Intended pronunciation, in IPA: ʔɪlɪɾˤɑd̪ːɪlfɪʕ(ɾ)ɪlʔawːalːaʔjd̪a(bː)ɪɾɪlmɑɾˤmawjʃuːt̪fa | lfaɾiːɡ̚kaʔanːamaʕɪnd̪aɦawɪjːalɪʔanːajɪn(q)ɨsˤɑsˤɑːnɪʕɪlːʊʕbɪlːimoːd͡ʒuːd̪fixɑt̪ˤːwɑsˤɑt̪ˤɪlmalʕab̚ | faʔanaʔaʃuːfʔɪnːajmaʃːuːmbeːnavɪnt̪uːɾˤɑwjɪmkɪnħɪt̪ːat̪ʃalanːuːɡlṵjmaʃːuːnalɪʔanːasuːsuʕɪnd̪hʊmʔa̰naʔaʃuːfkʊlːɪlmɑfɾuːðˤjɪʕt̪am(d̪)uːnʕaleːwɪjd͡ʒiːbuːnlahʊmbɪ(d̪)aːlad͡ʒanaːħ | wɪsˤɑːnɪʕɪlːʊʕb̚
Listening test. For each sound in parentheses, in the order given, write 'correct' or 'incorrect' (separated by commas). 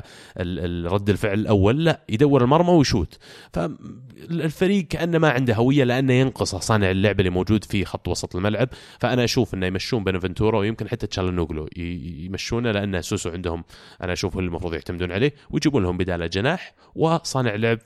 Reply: incorrect, incorrect, correct, correct, correct